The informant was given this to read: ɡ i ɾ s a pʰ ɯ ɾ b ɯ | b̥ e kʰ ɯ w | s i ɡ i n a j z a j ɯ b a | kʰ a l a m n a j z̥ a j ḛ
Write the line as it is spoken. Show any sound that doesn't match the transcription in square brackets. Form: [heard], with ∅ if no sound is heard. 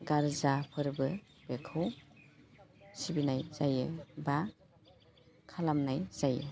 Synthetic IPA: ɡ [a] ɾ [z] a pʰ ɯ ɾ b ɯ | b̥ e kʰ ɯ w | s i [b] i n a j z a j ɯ b a | kʰ a l a m n a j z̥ a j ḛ